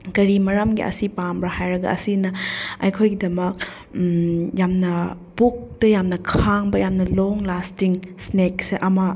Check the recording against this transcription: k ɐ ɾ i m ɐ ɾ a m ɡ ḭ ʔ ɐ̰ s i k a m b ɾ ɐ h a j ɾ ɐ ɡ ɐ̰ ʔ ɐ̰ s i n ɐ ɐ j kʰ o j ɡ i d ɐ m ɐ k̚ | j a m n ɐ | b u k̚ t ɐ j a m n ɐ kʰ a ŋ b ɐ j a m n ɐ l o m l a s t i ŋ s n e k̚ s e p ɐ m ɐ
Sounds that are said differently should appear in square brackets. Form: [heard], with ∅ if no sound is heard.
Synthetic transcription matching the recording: k ɐ ɾ i m ɐ ɾ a m ɡ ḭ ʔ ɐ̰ s i [p] a m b ɾ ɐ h a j ɾ ɐ ɡ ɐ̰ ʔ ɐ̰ s i n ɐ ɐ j kʰ o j ɡ i d ɐ m ɐ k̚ | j a m n ɐ | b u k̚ t ɐ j a m n ɐ kʰ a ŋ b ɐ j a m n ɐ l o [ŋ] l a s t i ŋ s n e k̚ s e [ʔ] ɐ m ɐ